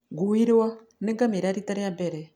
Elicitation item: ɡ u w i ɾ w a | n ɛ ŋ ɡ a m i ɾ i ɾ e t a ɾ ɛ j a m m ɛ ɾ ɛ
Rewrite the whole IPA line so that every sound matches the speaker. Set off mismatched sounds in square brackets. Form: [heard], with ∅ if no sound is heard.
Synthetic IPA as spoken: ɡ u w i ɾ w a | n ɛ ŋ ɡ a m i ɾ [a] ɾ [i] t a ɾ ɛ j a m [b] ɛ ɾ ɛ